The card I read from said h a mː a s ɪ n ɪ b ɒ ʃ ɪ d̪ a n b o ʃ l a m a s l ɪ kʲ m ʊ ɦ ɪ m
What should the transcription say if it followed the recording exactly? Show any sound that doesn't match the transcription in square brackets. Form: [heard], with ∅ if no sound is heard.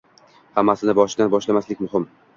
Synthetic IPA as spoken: h a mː a s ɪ n ɪ b ɒ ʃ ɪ d̪ a n b [ɒ] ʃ l a m a s l ɪ kʲ m ʊ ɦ ɪ m